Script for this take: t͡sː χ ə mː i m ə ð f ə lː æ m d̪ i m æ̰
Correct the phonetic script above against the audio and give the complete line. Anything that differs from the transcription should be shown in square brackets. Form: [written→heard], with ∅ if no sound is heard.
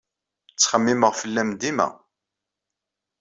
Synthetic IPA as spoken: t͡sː χ ə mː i m ə [ð→ʁ] f ə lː æ m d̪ i m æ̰